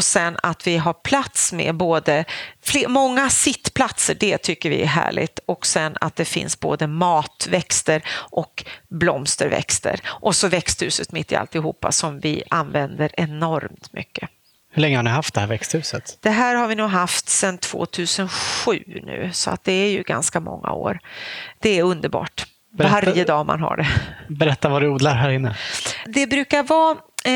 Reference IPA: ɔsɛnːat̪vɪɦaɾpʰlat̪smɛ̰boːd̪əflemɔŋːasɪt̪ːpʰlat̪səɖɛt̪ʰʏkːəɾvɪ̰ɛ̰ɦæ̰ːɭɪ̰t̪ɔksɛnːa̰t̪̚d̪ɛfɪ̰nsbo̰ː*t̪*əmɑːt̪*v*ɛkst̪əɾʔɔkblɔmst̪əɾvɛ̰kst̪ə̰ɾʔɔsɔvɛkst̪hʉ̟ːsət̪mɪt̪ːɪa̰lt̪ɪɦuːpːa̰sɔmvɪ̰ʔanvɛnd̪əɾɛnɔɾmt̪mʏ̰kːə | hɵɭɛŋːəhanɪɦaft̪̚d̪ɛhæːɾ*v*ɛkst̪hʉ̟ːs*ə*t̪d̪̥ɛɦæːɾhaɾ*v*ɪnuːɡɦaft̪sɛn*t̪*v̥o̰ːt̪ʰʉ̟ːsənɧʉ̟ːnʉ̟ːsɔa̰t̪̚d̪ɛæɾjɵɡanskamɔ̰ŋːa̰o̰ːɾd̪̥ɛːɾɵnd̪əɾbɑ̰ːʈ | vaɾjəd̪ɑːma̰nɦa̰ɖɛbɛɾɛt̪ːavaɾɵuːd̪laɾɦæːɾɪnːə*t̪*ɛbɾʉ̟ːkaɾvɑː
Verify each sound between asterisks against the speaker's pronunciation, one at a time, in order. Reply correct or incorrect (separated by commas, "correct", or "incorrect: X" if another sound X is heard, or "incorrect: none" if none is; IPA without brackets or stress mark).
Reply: incorrect: d̪, correct, correct, correct, correct, incorrect: t̪ʰ, incorrect: d̪